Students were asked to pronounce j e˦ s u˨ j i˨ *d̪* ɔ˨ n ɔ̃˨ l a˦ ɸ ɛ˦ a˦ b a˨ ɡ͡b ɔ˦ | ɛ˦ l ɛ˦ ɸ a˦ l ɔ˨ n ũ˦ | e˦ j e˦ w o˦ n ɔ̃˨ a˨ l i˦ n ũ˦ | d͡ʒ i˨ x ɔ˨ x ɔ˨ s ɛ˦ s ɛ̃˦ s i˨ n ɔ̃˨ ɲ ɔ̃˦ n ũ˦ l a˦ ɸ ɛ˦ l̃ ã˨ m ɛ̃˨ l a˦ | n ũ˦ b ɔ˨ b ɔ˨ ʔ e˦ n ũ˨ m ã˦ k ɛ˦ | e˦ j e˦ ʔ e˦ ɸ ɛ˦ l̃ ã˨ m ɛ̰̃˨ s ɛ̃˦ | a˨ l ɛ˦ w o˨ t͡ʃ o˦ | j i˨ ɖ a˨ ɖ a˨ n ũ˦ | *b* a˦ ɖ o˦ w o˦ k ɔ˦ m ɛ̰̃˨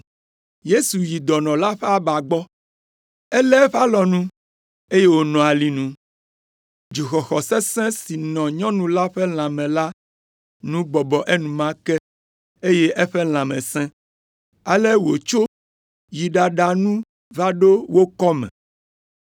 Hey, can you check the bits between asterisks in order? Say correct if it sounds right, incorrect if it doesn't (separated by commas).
correct, incorrect